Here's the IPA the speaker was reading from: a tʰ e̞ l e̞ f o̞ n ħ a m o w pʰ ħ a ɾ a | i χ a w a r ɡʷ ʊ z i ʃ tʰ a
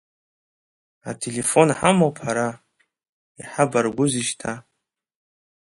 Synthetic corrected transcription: a tʰ e̞ l e̞ f o̞ n ħ a m o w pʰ ħ a ɾ a | i ħ a b a r ɡʷ ʊ z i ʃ tʰ a